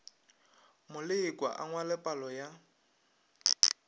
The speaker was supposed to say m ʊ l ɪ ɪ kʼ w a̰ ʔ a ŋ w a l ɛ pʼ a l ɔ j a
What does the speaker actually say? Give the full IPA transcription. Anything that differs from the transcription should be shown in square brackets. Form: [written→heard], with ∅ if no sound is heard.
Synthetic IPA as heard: m ʊ l ɪ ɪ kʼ w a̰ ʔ a ŋ w a l ɛ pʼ a l ɔ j a